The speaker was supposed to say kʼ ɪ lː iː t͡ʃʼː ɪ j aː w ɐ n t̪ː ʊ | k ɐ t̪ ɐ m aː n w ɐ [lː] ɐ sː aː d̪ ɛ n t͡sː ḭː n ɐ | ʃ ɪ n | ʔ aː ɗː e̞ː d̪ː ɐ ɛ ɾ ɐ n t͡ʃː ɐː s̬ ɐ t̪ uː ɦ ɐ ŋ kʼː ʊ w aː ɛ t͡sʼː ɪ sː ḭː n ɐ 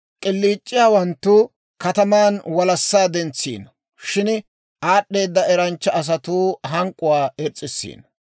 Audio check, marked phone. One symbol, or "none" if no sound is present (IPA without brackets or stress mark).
l